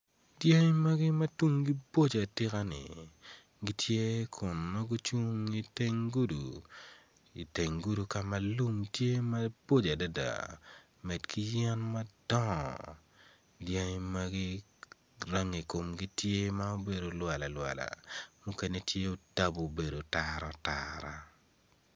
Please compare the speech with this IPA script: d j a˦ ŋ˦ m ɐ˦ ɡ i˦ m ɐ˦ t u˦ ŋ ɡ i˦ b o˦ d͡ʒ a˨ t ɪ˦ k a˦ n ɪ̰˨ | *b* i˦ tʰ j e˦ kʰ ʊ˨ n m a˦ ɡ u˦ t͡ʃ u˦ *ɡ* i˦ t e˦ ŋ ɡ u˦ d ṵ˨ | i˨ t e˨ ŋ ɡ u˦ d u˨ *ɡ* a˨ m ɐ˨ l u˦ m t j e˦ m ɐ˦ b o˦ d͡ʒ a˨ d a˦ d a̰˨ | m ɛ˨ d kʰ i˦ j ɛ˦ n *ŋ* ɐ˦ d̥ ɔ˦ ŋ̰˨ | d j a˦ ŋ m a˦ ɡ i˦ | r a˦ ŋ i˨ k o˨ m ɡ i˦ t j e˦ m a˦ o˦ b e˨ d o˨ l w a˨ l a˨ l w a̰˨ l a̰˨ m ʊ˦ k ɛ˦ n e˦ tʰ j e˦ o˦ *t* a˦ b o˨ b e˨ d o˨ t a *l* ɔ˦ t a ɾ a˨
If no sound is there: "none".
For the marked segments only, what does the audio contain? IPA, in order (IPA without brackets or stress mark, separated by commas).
ɡ, ŋ, k, m, t, ɾ